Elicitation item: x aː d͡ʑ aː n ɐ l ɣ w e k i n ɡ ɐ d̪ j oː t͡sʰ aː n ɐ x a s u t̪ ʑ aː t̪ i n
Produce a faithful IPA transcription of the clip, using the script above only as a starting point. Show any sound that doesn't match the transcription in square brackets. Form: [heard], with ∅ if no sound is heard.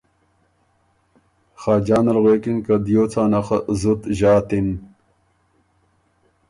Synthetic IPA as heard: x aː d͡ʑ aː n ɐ l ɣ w e k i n [k] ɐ d̪ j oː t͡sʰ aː n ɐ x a [z] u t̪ ʑ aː t̪ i n